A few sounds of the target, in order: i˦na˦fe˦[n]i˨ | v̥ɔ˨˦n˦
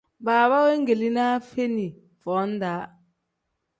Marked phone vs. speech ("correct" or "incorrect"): correct